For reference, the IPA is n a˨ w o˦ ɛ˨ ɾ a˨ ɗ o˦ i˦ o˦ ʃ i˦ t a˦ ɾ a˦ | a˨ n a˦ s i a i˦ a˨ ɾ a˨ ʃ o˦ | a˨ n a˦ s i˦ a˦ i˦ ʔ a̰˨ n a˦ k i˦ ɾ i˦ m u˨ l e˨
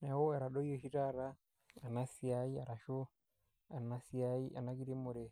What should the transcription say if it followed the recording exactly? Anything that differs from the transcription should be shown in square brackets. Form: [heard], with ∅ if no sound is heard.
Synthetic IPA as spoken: n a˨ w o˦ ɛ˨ ɾ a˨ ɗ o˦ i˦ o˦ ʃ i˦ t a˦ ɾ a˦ | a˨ n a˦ s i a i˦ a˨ ɾ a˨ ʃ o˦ | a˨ n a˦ s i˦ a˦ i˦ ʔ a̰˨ n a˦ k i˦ ɾ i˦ m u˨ [ɾ] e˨